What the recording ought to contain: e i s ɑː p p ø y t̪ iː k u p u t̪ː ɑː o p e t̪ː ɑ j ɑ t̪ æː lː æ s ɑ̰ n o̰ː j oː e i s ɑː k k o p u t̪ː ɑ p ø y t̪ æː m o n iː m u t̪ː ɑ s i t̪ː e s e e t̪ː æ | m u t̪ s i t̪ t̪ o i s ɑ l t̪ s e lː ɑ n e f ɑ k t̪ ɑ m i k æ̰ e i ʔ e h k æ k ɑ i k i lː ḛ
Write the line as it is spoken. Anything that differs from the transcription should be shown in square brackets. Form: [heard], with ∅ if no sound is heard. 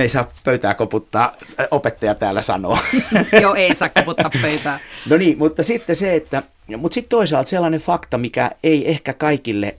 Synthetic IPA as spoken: e i s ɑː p p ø y t̪ [æː] k [o] p u t̪ː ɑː o p e t̪ː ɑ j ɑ t̪ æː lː æ s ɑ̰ n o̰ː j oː e i s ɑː k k o p u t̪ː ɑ p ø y t̪ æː [n] o n iː m u t̪ː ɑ s i t̪ː e s e e t̪ː æ | m u t̪ s i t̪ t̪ o i s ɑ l t̪ s e lː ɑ n e f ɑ k t̪ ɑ m i k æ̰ e i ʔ e h k æ k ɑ i k i lː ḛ